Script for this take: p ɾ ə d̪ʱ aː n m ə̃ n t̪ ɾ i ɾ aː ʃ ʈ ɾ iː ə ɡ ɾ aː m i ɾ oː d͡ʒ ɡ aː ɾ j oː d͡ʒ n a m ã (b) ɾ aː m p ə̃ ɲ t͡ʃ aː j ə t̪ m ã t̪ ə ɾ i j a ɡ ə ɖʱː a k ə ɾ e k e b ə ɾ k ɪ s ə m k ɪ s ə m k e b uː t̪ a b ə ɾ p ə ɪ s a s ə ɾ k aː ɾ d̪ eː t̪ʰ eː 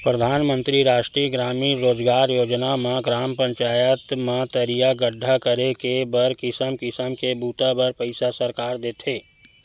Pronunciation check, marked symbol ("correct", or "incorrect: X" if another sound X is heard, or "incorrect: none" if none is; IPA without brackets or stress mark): incorrect: ɡ